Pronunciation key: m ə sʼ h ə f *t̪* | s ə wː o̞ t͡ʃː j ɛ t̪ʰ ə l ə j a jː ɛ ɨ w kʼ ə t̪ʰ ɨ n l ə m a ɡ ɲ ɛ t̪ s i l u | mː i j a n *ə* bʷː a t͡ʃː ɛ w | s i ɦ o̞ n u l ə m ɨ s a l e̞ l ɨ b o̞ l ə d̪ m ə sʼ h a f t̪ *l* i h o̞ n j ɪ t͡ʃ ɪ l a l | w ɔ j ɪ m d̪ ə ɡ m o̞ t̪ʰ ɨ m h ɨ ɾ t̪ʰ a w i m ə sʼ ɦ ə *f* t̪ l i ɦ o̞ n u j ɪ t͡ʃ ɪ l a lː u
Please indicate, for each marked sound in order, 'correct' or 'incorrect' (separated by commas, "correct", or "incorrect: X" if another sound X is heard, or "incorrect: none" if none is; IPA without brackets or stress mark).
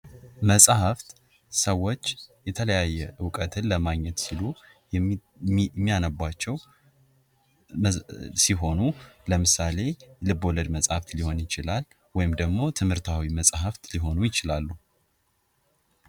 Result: correct, correct, correct, correct